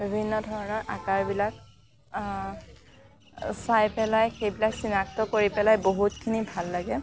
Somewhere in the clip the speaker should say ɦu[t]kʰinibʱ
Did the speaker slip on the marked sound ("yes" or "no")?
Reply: no